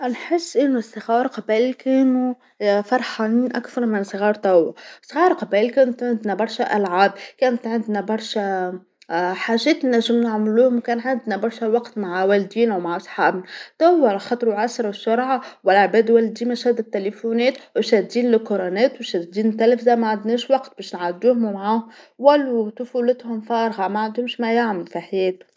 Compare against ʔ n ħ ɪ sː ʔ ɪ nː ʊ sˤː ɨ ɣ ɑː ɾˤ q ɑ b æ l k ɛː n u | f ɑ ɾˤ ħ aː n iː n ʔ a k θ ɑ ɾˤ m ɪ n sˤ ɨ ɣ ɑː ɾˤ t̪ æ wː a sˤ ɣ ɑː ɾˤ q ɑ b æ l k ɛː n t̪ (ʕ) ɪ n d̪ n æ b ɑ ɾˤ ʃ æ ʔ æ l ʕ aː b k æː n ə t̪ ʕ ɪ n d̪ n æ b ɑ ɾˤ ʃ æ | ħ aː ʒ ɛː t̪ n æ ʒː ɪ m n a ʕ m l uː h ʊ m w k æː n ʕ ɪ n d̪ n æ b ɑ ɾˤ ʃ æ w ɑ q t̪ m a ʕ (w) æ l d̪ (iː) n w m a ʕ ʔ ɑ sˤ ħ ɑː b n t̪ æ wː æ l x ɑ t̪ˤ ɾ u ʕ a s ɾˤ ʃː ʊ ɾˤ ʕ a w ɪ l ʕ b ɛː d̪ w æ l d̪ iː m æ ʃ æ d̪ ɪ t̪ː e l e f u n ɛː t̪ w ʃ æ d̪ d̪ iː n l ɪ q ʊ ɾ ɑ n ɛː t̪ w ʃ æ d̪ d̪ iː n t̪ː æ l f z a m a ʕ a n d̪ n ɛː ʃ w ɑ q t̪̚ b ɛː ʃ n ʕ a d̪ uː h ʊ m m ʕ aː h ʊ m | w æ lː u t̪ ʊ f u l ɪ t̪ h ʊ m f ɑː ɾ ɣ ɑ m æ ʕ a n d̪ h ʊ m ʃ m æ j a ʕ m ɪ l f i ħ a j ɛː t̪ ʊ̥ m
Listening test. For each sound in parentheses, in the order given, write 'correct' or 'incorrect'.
correct, correct, correct

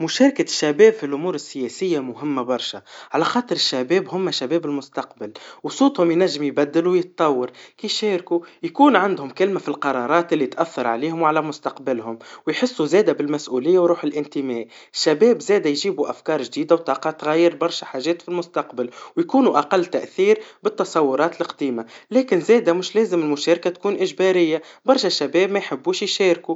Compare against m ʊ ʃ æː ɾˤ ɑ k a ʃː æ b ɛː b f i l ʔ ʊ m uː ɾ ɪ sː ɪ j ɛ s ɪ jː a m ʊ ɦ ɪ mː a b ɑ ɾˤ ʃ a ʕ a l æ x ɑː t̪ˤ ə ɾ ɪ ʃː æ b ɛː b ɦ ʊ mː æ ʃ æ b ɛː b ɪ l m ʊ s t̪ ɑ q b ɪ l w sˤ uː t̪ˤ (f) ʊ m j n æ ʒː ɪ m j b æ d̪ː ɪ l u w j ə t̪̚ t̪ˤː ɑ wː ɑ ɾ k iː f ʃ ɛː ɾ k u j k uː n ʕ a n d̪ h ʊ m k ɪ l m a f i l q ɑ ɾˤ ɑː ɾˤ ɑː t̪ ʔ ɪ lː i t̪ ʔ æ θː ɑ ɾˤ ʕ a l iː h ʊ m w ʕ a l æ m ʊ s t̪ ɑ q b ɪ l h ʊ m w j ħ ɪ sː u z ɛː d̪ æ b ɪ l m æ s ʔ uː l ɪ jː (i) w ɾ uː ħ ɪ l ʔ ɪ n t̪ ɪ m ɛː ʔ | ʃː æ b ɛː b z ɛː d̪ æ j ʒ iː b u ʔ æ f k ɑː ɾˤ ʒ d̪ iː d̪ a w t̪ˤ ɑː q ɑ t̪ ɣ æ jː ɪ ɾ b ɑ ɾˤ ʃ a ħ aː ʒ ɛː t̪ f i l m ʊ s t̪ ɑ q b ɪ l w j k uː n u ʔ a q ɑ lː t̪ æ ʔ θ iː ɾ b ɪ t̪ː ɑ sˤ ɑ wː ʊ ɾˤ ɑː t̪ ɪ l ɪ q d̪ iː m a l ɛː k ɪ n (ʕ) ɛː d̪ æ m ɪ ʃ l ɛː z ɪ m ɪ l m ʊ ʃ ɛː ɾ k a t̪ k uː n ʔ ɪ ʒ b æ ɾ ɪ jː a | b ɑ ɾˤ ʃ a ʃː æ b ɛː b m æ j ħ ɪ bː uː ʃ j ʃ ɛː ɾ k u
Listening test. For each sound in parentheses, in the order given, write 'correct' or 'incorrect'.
incorrect: h, incorrect: a, incorrect: z

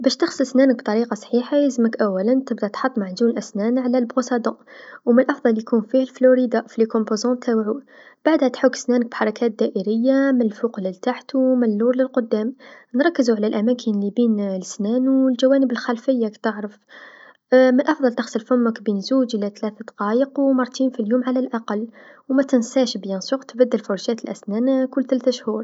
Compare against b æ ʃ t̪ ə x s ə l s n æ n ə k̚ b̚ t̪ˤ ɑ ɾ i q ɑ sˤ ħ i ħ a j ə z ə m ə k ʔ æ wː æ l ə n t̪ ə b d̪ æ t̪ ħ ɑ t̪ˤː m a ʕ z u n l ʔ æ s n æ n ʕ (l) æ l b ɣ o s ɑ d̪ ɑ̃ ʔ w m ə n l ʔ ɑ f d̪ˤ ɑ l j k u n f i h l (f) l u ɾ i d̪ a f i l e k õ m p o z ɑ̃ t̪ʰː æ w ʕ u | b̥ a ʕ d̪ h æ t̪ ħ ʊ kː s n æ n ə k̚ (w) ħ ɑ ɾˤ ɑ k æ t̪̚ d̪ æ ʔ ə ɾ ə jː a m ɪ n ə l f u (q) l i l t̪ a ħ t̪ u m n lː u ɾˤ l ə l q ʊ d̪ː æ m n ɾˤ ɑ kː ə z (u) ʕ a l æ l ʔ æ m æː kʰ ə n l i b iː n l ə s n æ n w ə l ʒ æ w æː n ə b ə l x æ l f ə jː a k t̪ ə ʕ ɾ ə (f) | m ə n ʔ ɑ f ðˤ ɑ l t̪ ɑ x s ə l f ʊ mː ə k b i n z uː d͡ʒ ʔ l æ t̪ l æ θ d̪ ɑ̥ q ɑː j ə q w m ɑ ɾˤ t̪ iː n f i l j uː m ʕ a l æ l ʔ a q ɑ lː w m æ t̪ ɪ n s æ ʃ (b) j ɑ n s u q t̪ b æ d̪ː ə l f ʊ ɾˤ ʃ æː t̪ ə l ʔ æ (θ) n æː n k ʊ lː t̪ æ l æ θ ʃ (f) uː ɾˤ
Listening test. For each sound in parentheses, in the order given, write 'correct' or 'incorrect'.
correct, correct, incorrect: b, correct, correct, correct, correct, incorrect: s, incorrect: h

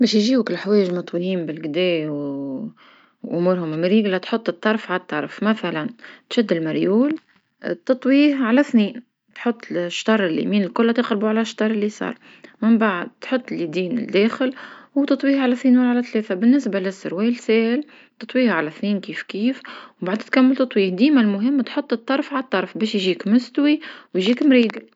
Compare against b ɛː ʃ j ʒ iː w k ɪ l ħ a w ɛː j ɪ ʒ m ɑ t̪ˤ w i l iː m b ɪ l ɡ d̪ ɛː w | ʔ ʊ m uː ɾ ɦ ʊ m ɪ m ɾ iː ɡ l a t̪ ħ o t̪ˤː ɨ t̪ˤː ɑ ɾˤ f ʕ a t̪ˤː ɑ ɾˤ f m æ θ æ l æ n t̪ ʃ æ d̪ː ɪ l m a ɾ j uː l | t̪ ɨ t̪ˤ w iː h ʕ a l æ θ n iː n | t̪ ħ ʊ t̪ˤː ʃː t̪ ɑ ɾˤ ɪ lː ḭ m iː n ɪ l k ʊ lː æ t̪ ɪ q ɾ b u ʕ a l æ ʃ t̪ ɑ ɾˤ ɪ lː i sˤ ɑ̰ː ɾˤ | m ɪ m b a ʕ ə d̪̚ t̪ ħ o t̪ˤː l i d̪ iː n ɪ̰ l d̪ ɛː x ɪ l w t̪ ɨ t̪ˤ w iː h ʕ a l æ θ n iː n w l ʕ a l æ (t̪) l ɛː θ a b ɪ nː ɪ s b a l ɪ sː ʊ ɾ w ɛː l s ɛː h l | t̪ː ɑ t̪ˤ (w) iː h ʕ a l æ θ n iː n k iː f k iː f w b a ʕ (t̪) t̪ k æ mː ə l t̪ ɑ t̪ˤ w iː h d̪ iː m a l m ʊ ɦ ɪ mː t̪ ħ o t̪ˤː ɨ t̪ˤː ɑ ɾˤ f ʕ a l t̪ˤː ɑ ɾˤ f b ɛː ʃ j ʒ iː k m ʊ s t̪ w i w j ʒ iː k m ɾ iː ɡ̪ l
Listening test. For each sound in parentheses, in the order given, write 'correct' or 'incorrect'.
correct, correct, incorrect: d̪

